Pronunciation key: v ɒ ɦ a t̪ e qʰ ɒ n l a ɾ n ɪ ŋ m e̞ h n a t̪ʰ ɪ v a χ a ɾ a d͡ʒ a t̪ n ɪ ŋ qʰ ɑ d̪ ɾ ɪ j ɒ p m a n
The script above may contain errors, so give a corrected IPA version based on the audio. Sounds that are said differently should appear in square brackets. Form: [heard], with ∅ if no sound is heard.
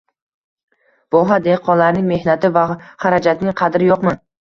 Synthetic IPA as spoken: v ɒ ɦ a [d̪] e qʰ ɒ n l a ɾ n ɪ ŋ m e̞ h n a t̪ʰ ɪ v a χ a ɾ a d͡ʒ a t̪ n ɪ ŋ qʰ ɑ d̪ ɾ ɪ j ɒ [q] m a n